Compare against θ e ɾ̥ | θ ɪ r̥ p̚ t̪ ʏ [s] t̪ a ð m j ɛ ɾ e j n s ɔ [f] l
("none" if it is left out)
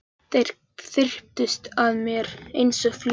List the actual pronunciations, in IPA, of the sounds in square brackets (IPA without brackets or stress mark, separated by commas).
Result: s, f